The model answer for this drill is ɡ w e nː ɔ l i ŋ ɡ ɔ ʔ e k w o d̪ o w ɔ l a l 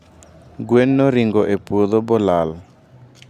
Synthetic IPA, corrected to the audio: ɡ w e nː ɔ ɾ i ŋ ɡ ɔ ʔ e p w o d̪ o b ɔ l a l